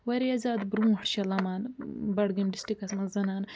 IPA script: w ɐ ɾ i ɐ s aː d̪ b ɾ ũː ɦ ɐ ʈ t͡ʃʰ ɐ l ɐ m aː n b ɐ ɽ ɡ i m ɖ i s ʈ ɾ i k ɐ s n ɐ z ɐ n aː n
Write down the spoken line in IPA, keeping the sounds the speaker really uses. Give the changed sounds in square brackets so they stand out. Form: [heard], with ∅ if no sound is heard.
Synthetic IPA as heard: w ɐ ɾ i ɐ [z] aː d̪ b ɾ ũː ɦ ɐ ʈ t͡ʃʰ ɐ l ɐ m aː n b ɐ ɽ ɡ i m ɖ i s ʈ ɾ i k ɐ s [m] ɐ z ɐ n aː n

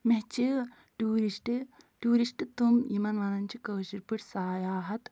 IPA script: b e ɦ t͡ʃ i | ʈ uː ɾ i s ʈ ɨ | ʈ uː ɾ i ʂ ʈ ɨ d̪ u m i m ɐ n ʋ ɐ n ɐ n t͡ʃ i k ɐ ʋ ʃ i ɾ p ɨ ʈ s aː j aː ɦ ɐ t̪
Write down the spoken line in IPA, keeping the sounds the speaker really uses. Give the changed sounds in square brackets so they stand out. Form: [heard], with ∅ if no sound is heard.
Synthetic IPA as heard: [m] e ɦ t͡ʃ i | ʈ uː ɾ i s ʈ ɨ | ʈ uː ɾ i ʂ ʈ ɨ [t̪] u m i m ɐ n ʋ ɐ n ɐ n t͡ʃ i k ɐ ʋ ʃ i ɾ p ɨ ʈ s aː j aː ɦ ɐ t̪

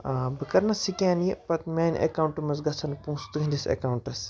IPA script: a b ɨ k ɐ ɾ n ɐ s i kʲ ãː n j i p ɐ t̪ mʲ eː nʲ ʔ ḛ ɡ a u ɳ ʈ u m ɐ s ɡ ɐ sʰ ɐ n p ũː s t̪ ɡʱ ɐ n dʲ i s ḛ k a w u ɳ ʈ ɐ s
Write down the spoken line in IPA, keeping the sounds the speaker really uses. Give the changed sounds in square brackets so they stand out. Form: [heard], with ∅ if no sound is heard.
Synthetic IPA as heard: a b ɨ k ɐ ɾ n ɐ s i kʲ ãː n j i p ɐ t̪ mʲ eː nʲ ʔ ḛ [k] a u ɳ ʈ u m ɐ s ɡ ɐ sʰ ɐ n p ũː s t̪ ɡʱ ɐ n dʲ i s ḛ k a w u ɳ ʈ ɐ s

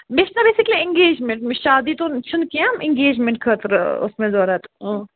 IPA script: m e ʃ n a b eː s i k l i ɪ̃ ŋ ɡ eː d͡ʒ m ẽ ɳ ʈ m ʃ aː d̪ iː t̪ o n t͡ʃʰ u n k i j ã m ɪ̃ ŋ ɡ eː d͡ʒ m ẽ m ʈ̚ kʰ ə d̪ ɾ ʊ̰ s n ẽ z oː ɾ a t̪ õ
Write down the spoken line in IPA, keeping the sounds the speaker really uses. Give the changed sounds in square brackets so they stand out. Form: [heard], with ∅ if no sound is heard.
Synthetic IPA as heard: [b] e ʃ n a b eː s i k l i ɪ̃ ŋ ɡ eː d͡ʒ m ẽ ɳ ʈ m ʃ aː d̪ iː t̪ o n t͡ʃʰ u n k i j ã m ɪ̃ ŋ ɡ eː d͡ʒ m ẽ [ɳ] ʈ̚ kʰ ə [t̪] ɾ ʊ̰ s [m] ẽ z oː ɾ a t̪ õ

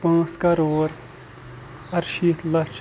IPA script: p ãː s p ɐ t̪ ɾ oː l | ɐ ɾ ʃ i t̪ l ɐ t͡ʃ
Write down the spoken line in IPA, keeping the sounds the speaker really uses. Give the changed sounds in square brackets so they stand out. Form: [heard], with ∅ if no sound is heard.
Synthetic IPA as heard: p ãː s [k] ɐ [∅] ɾ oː [ɾ] | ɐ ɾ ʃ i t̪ l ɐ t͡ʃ

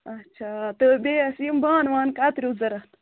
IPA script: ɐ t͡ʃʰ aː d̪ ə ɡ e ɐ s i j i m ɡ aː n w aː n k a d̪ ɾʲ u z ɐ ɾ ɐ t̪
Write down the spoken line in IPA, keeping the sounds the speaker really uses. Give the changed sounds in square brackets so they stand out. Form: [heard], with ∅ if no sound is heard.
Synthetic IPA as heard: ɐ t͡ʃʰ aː [t̪] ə [b] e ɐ s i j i m [b] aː n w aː n k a [t̪] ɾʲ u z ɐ ɾ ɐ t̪

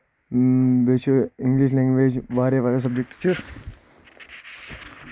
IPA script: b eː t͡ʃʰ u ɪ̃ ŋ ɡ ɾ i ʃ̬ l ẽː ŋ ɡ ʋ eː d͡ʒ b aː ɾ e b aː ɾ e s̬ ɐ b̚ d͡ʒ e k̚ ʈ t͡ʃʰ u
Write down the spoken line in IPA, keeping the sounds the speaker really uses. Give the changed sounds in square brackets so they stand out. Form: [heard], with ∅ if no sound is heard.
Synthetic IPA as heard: b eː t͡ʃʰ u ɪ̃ ŋ ɡ [l] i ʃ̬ l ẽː ŋ ɡ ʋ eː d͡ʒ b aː ɾ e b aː ɾ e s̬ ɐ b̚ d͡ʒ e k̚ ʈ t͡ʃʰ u

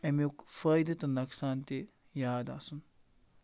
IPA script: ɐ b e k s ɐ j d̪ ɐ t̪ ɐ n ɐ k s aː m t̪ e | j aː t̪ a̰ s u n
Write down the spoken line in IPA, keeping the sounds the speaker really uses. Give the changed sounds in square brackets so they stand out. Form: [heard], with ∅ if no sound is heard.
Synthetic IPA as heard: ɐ [m] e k [f] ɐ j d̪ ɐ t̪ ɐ n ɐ k s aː [n] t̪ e | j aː [d̪] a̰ s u n

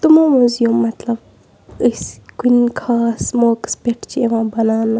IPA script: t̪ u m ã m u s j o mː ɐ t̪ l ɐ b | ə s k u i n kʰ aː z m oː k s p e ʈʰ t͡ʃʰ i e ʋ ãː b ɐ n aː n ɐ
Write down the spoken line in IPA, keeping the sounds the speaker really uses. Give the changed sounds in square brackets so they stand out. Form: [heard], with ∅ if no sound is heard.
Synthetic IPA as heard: t̪ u m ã m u [z] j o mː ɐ t̪ l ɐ b | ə s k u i n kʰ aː [s] m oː k s p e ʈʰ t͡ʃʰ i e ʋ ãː b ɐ n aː n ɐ

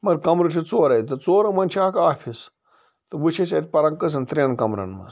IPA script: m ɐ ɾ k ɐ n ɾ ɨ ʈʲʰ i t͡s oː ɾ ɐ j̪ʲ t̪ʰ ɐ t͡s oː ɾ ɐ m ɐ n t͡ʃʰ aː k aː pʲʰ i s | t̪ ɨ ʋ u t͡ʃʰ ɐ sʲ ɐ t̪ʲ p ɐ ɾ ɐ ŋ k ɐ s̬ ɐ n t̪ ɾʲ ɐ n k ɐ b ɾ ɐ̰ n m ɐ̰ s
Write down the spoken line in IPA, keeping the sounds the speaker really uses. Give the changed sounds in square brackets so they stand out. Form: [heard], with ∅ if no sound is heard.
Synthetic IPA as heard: m ɐ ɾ k ɐ [m] ɾ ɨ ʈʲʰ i t͡s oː ɾ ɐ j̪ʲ [t̪] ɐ t͡s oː ɾ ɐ m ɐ n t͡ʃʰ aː k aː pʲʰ i s | t̪ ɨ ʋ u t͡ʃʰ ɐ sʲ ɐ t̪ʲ p ɐ ɾ ɐ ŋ k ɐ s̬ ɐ n t̪ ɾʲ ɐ n k ɐ [m] ɾ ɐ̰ n m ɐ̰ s

